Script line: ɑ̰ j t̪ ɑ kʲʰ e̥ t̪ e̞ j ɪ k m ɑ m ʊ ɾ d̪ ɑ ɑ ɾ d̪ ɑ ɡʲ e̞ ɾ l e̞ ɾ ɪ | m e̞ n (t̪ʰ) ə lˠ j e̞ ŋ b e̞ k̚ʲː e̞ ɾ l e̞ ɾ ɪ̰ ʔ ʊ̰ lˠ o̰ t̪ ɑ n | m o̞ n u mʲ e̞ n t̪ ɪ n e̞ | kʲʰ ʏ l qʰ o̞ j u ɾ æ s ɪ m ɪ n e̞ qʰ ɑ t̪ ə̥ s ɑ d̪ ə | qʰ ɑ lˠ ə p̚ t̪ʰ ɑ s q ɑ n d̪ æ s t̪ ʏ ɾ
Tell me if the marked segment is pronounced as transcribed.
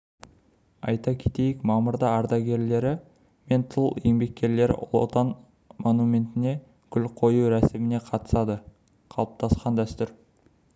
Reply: yes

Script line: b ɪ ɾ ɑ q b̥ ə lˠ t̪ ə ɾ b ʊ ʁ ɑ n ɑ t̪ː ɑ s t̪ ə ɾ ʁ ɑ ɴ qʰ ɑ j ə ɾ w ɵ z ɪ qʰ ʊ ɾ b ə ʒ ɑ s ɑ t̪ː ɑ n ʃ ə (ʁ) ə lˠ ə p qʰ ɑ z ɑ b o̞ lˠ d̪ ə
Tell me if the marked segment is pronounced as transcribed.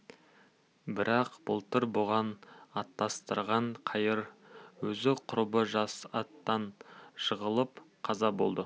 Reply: yes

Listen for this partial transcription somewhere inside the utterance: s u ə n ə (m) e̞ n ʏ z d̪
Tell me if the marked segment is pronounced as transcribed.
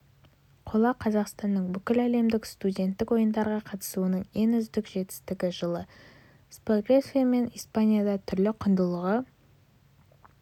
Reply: no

